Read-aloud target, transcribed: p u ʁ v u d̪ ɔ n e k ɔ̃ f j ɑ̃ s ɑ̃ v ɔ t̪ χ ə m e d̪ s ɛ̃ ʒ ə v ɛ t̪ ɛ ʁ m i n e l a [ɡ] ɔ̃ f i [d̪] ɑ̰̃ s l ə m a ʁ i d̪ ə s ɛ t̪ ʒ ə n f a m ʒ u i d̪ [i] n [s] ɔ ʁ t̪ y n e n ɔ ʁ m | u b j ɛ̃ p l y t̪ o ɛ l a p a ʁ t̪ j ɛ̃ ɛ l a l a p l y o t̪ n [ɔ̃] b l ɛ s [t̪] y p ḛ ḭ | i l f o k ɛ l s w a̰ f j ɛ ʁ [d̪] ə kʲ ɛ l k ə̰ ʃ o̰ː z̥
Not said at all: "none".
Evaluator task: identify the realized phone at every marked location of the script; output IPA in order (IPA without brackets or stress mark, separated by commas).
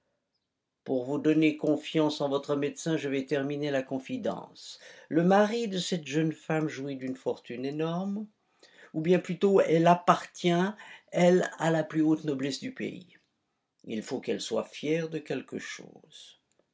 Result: k, d̪, y, f, ɔ, d̪, d̪